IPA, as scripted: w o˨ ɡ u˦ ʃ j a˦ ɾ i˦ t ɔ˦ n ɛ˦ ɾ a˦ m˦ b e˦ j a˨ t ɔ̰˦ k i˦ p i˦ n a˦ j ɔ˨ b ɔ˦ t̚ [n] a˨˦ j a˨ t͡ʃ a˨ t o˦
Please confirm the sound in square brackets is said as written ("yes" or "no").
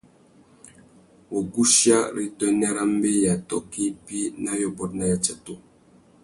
yes